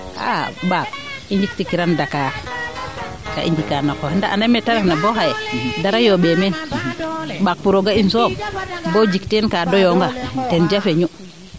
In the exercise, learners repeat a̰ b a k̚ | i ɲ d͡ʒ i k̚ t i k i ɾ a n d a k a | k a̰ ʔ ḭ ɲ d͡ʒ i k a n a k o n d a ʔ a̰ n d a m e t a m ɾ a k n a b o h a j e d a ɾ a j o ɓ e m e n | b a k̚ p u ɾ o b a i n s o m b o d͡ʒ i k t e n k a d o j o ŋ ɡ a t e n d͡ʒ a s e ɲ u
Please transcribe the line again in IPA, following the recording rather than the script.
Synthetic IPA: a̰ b a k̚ | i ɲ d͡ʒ i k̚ t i k i ɾ a n d a k a | k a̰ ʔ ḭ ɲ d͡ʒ i k a n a k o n d a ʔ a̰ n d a m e t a ɾ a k n a b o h a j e d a ɾ a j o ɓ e m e n | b a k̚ p u ɾ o ɡ a i n s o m b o d͡ʒ i k t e n k a d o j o ŋ ɡ a t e n d͡ʒ a f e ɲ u